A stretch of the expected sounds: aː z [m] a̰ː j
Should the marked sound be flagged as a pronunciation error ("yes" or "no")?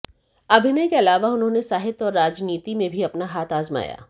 no